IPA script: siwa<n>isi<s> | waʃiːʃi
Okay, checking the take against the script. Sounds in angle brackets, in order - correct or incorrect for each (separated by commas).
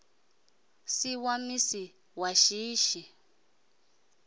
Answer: incorrect, incorrect